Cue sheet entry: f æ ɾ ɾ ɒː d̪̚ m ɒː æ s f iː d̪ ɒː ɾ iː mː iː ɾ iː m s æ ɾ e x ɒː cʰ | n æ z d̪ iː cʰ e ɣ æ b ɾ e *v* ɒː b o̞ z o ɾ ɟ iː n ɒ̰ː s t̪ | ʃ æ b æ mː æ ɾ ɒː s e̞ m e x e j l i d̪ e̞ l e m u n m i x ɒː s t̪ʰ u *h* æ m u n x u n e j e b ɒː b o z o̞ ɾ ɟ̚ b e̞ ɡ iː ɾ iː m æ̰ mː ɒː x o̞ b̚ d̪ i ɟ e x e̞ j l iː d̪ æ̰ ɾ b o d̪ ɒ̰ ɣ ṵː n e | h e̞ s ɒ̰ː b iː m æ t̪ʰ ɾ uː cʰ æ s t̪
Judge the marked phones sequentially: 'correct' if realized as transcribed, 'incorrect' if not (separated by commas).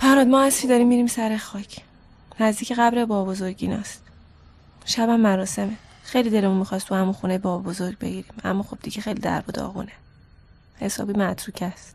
incorrect, correct